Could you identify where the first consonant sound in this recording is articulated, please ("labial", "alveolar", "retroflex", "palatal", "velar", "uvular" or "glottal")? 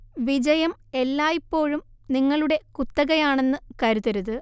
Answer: labial